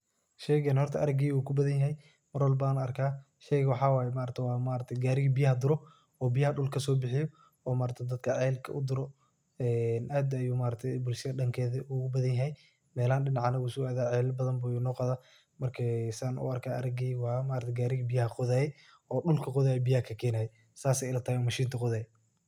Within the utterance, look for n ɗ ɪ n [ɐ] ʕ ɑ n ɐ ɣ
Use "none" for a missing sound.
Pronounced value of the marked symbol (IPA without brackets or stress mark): ɑ